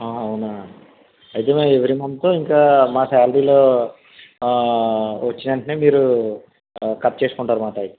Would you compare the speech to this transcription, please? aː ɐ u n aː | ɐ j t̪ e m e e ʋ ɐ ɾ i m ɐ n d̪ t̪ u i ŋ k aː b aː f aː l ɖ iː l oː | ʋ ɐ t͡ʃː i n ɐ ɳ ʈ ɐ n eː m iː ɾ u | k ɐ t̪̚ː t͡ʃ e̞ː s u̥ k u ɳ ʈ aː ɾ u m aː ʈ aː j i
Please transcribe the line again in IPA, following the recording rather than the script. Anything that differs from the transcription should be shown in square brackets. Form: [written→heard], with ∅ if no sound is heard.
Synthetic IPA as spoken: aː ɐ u n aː | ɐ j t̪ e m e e ʋ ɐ ɾ i m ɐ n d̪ t̪ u i ŋ k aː [b→m] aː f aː l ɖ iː l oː | ʋ ɐ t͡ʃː i n ɐ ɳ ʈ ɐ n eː m iː ɾ u | k ɐ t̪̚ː t͡ʃ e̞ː s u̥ k u ɳ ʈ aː ɾ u m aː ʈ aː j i